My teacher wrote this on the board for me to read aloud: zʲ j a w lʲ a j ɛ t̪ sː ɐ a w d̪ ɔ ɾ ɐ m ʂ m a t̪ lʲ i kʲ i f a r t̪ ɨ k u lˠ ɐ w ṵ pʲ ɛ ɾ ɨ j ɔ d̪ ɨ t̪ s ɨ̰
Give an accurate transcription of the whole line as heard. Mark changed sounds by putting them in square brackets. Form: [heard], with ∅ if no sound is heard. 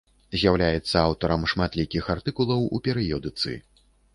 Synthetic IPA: zʲ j a w lʲ a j ɛ t̪ sː ɐ a w [t̪] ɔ ɾ ɐ m ʂ m a t̪ lʲ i kʲ i [x] a r t̪ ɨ k u lˠ ɐ w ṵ pʲ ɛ ɾ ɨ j ɔ d̪ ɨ t̪ s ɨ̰